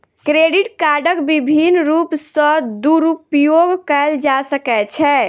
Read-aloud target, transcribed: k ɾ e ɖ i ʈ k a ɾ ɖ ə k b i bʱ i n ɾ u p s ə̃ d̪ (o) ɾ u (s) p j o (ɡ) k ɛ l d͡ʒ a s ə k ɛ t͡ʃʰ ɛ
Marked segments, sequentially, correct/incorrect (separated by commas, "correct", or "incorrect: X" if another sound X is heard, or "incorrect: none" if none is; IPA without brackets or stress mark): incorrect: u, incorrect: none, correct